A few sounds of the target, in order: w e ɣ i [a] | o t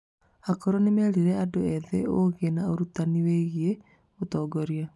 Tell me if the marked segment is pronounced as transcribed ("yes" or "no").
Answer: no